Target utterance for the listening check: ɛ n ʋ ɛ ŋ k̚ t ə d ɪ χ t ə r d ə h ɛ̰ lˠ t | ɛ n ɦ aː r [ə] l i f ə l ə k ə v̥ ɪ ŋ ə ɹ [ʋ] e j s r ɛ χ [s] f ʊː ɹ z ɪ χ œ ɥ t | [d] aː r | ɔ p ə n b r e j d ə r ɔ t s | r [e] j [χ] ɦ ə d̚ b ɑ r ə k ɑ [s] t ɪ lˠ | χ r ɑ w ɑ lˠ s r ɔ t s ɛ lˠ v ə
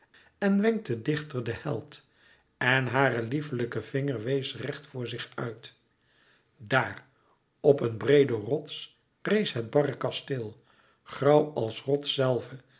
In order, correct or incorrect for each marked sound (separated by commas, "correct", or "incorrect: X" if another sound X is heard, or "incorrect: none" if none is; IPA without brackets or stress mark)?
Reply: correct, correct, incorrect: t, correct, correct, incorrect: s, correct